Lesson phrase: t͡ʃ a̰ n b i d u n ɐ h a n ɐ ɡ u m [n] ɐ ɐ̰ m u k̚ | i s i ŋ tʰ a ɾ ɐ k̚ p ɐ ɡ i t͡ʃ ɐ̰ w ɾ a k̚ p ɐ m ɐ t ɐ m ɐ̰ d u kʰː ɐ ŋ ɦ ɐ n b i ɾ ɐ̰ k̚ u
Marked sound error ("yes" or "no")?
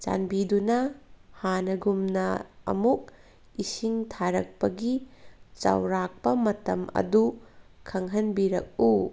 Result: no